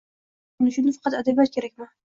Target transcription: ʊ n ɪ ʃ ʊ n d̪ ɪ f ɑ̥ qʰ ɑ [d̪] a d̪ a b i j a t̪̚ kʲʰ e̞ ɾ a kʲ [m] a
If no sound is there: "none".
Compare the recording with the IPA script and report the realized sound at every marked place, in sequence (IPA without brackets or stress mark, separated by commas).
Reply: t̪, m